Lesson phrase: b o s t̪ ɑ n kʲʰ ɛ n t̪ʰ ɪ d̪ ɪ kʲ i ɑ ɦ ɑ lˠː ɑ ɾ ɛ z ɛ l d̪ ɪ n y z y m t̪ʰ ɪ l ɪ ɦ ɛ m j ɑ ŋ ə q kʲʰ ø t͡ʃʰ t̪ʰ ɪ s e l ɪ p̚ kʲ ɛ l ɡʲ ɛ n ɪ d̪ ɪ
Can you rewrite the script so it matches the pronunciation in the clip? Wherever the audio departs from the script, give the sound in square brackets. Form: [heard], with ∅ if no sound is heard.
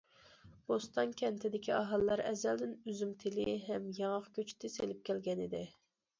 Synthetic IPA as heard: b o s t̪ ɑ n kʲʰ ɛ n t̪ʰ ɪ d̪ ɪ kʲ i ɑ ɦ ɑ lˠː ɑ ɾ ɛ z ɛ l d̪ ɪ n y z y m t̪ʰ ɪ l ɪ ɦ ɛ m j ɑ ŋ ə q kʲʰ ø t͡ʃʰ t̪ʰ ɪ s e l ɪ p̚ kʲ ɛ l ɡʲ ɛ n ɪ d̪ ɪ